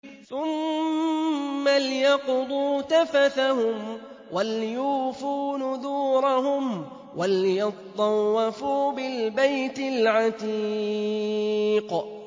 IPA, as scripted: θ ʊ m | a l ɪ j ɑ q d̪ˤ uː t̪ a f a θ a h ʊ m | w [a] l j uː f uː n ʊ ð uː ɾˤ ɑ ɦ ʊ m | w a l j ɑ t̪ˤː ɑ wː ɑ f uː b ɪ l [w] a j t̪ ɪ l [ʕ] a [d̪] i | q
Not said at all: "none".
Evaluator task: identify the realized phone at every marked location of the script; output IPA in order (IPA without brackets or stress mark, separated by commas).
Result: a, b, ʕ, t̪